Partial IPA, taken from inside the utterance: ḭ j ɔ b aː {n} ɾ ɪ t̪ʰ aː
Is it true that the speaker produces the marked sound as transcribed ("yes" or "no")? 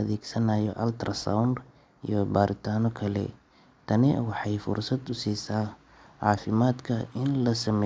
no